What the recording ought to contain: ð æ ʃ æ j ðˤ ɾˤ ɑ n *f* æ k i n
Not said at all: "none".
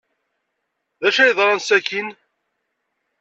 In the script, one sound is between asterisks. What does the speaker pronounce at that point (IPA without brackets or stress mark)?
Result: s